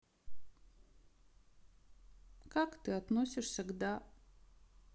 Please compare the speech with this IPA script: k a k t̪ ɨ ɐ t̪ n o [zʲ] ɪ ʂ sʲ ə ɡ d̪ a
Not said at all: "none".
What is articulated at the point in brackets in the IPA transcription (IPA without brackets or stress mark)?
sʲ